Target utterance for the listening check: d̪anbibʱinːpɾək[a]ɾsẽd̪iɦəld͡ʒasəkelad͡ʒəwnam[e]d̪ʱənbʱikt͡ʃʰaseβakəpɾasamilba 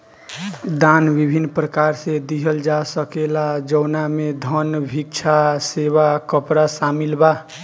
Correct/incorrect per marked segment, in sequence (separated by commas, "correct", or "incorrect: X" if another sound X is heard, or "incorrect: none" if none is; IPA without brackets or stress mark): correct, correct